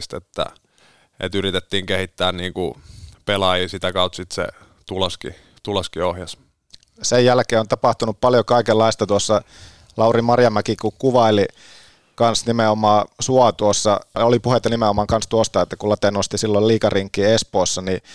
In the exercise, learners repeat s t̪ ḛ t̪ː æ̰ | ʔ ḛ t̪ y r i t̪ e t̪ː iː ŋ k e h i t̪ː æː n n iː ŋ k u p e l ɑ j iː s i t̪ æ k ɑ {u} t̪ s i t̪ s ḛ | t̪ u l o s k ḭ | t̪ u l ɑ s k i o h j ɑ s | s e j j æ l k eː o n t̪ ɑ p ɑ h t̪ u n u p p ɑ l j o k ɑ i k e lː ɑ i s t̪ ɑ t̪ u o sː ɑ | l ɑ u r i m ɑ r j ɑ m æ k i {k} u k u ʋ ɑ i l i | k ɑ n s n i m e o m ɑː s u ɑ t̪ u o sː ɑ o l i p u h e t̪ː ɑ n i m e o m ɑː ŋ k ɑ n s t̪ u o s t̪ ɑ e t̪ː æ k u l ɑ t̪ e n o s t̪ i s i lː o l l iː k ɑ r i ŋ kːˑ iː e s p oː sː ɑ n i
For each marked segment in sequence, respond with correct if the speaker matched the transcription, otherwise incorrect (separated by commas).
correct, correct